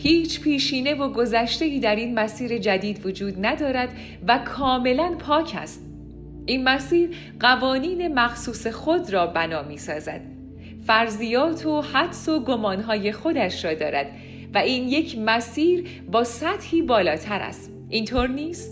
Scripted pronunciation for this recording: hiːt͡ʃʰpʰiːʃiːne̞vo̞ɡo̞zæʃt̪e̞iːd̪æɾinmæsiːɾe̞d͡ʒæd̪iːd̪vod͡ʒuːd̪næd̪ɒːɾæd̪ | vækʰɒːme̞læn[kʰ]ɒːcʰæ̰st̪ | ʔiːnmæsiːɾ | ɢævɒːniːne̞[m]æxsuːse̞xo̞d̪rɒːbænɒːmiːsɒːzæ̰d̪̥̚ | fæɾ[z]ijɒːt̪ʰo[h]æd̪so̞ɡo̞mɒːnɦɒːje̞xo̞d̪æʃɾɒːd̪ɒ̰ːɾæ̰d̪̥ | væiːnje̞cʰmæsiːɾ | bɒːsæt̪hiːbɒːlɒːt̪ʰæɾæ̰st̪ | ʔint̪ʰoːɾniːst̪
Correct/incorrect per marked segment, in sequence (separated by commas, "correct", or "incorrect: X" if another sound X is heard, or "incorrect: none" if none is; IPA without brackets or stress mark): incorrect: pʰ, correct, correct, correct